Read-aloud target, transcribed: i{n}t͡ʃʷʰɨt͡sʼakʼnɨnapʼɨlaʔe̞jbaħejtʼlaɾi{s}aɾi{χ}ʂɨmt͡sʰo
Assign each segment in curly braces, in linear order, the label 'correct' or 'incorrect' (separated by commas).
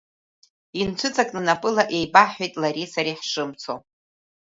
correct, correct, incorrect